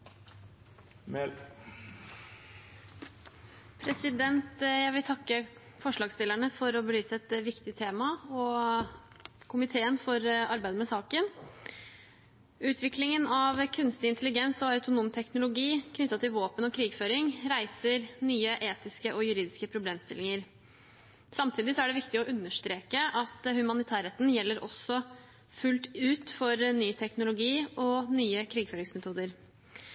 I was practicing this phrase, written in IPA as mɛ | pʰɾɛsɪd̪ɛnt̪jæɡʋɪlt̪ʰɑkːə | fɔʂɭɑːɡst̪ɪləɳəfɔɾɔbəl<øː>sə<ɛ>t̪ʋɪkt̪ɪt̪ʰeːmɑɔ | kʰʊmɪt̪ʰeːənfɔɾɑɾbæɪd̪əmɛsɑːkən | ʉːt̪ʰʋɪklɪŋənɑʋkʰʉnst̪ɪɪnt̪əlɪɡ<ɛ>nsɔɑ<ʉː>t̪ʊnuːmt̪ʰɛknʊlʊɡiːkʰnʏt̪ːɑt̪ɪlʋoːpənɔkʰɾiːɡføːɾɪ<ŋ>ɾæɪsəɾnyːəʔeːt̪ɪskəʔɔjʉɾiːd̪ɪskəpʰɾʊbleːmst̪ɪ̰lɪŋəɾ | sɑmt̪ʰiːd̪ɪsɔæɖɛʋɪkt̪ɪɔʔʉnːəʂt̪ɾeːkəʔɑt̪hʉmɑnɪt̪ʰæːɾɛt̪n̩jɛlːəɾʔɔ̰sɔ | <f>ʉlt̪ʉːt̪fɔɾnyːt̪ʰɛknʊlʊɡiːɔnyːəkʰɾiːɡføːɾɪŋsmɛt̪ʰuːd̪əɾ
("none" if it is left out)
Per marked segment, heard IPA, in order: yː, ɛ, ɛ, ʉ, ŋ, f

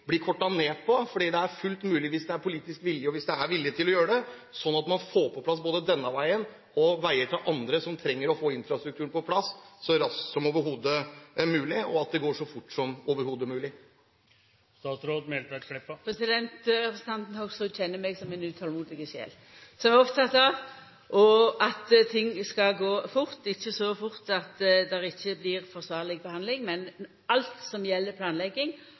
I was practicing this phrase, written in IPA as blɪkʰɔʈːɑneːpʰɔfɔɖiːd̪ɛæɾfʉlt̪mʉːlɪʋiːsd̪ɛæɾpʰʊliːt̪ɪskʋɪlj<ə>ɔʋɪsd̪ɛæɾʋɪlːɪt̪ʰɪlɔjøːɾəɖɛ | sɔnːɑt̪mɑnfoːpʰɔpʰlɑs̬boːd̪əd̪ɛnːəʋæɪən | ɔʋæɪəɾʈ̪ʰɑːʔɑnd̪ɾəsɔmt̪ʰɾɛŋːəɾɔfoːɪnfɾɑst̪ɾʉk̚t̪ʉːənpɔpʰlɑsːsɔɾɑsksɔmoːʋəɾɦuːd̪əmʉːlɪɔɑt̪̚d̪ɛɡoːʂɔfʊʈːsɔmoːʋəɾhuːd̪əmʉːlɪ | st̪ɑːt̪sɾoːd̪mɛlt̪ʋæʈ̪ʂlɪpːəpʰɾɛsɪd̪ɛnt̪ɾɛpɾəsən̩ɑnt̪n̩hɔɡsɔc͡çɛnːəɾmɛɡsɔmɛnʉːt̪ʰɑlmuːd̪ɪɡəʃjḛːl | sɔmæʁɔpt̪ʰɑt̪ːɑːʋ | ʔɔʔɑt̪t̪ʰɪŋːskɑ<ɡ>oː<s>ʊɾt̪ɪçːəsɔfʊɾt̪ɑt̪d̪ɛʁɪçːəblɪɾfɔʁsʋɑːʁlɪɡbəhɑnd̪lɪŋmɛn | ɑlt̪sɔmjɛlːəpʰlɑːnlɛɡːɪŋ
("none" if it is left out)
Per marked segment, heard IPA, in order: ə, ɡ, f

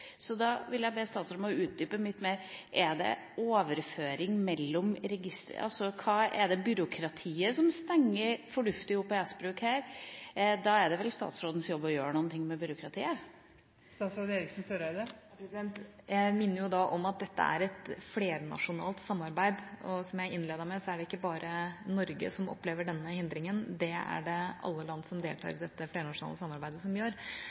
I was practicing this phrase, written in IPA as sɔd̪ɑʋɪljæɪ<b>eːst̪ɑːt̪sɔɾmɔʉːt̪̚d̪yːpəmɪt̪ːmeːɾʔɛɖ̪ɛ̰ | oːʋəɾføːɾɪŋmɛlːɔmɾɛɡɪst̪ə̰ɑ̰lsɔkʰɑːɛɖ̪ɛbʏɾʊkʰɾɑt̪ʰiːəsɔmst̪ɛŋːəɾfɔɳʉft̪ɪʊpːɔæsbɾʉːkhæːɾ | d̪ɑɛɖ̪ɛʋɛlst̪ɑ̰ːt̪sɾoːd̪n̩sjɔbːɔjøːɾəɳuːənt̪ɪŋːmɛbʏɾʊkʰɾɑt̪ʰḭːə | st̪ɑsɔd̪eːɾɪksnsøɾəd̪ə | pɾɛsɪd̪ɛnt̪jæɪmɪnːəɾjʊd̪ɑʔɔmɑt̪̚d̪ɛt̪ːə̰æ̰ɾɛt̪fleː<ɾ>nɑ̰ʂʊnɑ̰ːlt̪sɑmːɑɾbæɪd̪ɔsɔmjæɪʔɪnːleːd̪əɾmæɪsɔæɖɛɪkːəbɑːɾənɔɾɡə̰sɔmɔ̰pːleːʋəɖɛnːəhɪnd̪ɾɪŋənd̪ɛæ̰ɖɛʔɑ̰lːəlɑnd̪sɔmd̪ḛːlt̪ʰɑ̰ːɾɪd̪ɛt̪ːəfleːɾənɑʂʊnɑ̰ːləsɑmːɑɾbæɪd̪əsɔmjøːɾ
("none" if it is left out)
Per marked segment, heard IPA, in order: b, ɾ

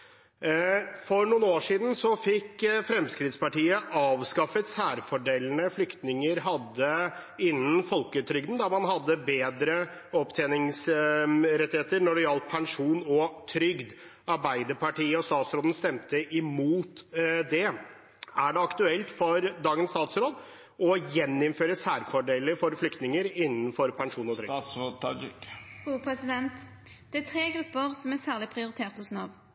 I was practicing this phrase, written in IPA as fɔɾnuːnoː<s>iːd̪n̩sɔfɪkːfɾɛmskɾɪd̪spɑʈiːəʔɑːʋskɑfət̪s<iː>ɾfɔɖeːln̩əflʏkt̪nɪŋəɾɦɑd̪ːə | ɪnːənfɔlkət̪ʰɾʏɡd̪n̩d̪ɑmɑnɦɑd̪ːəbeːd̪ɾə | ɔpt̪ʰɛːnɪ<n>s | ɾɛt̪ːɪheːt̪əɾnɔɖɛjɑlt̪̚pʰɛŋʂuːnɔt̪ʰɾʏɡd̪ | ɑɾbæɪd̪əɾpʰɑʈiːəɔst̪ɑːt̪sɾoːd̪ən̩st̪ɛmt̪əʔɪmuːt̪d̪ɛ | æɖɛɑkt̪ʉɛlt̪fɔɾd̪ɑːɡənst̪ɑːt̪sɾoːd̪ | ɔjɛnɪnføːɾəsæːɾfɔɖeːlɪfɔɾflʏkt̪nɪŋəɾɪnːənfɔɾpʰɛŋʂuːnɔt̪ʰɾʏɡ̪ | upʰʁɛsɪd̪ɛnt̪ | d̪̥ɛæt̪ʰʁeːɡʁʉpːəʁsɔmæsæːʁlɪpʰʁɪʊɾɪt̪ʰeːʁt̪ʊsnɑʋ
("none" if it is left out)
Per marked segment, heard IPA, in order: ʂ, æː, ŋ

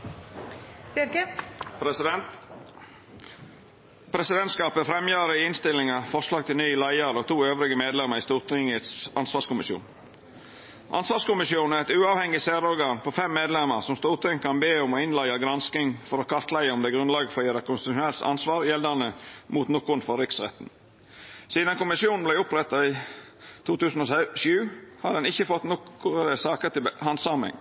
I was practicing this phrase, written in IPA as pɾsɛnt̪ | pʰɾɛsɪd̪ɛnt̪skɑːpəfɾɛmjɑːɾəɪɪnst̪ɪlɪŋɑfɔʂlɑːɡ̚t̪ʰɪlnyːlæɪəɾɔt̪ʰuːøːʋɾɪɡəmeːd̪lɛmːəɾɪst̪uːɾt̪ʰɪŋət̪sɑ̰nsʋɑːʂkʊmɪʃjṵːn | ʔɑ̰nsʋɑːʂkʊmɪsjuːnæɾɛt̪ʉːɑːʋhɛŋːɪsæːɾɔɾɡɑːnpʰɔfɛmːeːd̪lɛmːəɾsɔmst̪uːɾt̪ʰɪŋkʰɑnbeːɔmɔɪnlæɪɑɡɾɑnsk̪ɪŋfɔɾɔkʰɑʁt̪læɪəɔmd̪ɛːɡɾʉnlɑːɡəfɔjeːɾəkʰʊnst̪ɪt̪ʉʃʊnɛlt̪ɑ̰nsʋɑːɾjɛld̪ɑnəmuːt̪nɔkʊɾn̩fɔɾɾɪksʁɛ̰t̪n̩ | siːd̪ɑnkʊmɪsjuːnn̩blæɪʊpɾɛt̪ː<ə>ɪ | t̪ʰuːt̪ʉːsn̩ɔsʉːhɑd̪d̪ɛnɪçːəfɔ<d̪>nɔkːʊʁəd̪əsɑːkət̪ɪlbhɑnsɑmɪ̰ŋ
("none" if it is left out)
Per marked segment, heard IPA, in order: ɑ, t̪

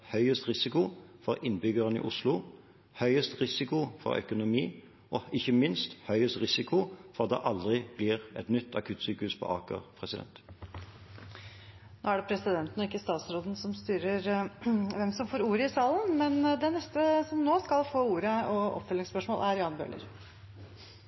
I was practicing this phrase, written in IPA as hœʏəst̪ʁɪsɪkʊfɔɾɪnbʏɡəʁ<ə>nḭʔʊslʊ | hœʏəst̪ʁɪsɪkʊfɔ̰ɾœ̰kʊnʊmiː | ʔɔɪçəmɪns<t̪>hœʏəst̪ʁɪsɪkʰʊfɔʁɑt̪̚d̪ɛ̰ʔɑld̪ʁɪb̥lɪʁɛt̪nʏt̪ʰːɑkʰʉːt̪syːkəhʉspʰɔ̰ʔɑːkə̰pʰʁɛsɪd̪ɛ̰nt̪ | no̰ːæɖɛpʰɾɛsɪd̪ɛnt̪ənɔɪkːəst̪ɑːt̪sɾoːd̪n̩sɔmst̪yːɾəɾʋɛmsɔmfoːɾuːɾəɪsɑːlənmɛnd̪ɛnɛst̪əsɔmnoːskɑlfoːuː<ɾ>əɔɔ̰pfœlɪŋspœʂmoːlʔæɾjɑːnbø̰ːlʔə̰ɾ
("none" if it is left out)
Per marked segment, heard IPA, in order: ə, t̪, ɾ

